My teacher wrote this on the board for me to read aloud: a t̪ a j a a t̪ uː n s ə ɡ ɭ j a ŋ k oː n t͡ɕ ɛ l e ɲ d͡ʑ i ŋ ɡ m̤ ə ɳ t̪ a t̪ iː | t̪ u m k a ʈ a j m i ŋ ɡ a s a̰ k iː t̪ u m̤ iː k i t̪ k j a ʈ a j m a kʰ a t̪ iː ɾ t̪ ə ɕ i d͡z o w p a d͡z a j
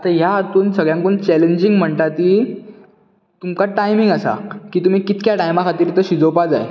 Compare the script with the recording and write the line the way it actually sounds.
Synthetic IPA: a t̪ a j a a t̪ uː n s ə ɡ ɭ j a ŋ k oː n t͡ɕ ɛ l e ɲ d͡ʑ i ŋ ɡ m̤ ə ɳ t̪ a t̪ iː | t̪ u m k a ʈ a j m i ŋ ɡ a s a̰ k iː t̪ u m̤ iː k i t̪ k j a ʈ a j m a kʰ a t̪ iː ɾ t̪ ə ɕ i d͡z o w p a d͡z a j